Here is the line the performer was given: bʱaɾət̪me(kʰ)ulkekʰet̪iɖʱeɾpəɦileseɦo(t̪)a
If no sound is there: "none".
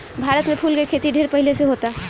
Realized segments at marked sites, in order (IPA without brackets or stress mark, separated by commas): pʰ, t̪